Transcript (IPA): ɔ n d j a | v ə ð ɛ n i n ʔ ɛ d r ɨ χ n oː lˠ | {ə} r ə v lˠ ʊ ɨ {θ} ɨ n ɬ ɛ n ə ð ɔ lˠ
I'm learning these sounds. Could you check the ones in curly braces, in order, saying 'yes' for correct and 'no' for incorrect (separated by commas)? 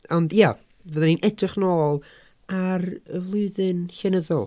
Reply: no, no